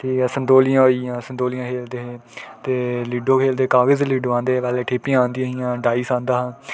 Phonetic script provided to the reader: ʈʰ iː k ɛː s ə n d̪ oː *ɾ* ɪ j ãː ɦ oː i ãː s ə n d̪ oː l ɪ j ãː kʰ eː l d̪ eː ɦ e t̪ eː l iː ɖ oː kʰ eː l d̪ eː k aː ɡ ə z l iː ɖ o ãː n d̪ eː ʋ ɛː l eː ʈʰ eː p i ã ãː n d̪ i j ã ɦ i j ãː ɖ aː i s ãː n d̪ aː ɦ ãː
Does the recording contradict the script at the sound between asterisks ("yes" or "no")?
yes